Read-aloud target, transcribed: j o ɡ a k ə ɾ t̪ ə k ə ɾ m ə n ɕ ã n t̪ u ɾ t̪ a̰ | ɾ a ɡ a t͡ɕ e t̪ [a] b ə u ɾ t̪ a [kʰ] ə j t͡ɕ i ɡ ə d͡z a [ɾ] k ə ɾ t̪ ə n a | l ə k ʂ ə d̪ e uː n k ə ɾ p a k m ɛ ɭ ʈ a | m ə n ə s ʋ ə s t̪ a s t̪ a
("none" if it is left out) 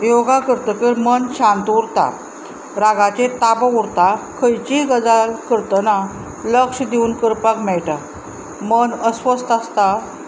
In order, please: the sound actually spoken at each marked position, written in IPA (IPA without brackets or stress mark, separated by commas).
a, kʰ, l